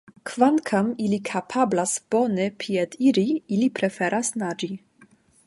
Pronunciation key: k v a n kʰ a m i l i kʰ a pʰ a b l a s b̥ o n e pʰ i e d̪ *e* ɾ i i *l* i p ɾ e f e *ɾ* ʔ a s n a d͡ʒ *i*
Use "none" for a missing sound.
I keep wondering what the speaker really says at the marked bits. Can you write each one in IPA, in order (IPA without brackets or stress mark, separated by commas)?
i, l, ɾ, i